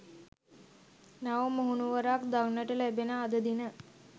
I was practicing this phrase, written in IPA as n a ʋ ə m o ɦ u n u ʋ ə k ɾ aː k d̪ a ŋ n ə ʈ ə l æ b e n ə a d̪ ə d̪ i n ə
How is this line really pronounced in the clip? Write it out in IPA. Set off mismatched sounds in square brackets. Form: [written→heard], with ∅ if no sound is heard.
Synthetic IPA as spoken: n a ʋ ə m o ɦ u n u ʋ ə [k→∅] ɾ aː k d̪ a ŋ n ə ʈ ə l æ b e n ə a d̪ ə d̪ i n ə